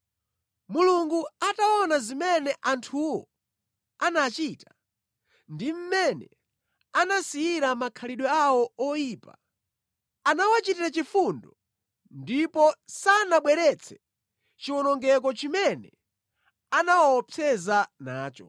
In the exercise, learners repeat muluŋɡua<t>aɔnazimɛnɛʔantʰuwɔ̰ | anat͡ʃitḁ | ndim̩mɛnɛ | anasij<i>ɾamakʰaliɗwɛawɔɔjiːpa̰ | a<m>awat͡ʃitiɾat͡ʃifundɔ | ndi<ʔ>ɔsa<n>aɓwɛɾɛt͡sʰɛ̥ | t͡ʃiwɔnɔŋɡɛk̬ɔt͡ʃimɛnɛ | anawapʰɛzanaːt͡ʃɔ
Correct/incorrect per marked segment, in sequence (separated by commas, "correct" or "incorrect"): correct, correct, incorrect, incorrect, correct